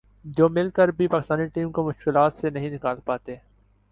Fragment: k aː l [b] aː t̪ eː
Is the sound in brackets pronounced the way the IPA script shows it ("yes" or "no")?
no